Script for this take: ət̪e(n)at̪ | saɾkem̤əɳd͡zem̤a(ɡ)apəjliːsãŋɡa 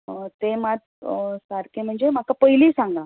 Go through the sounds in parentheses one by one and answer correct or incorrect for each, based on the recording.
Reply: incorrect, incorrect

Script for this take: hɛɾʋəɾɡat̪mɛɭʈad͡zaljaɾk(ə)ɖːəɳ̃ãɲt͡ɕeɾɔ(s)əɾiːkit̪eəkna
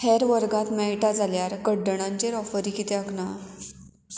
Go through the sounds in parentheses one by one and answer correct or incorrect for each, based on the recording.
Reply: correct, incorrect

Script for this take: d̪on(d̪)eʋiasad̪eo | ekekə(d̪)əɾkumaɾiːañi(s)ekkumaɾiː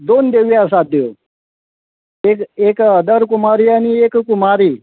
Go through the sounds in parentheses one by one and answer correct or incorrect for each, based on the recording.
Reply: correct, correct, incorrect

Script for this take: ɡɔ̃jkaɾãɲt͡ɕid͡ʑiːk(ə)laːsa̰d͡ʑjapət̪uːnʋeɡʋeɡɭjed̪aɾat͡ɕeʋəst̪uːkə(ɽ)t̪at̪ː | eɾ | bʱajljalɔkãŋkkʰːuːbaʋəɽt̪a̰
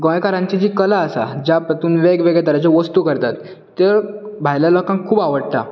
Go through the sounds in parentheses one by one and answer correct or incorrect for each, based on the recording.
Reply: correct, incorrect

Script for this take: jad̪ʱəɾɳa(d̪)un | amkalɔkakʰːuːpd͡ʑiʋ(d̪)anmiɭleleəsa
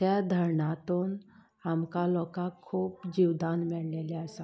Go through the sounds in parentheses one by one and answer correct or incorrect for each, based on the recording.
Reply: incorrect, correct

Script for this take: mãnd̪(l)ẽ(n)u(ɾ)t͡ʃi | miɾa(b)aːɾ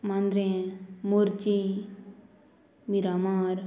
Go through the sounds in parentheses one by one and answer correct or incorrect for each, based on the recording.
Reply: incorrect, incorrect, correct, incorrect

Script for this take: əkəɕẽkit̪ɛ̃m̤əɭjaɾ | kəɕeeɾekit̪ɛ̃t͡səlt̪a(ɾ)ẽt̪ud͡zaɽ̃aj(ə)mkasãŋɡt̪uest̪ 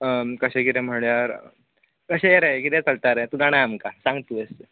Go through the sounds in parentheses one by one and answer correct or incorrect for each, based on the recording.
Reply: correct, incorrect

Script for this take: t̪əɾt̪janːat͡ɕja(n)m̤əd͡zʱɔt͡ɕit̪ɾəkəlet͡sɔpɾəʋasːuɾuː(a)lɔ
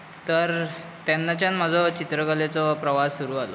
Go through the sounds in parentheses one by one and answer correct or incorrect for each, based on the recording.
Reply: correct, correct

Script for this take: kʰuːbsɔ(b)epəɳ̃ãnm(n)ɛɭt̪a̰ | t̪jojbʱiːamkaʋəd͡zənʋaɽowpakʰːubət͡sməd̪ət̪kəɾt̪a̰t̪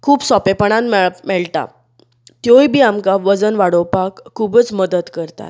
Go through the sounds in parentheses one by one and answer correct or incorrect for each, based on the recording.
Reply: incorrect, incorrect

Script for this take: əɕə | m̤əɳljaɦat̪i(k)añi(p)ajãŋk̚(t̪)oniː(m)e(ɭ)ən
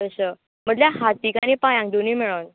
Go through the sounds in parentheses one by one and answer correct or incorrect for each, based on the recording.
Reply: correct, correct, incorrect, correct, correct

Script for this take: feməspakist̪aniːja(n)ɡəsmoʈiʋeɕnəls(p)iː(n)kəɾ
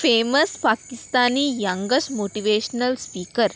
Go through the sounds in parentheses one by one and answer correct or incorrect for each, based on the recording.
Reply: incorrect, correct, incorrect

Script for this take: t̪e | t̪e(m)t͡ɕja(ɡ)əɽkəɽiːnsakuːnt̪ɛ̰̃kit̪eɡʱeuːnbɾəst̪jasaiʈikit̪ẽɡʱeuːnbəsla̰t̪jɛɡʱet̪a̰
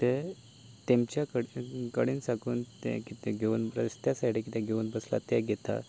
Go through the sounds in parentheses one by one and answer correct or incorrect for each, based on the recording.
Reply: correct, incorrect

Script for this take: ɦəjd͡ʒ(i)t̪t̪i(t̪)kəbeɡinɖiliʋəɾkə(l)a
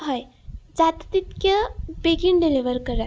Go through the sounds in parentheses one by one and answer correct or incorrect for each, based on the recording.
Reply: incorrect, correct, incorrect

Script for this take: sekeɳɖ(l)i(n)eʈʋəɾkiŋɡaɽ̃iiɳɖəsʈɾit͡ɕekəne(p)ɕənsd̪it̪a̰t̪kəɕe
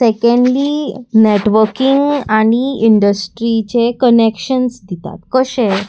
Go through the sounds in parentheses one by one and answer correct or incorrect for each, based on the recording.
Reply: correct, correct, incorrect

